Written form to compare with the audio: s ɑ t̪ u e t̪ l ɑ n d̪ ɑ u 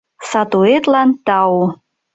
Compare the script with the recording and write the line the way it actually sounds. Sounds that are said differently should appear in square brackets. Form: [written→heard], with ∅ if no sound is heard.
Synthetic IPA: s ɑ t̪ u e t̪ l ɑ n [d̪→t̪] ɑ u